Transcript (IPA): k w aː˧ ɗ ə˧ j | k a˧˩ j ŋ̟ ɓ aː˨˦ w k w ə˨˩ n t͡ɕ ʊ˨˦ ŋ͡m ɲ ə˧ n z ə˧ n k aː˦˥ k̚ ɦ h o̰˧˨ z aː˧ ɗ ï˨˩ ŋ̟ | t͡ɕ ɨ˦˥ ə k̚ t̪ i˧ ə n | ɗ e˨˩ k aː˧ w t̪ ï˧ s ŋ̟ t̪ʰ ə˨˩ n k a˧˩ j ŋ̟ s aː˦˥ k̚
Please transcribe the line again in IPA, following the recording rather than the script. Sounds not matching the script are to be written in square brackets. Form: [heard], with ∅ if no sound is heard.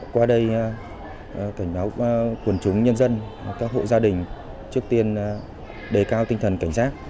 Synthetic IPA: k w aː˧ ɗ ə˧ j | k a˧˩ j ŋ̟ ɓ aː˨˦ w k w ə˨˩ n t͡ɕ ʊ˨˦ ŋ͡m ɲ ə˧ n z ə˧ n k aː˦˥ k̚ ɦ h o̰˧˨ z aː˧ ɗ ï˨˩ ŋ̟ | t͡ɕ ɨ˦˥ ə k̚ t̪ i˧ ə n | ɗ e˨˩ k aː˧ w t̪ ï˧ [∅] ŋ̟ t̪ʰ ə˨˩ n k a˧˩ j ŋ̟ s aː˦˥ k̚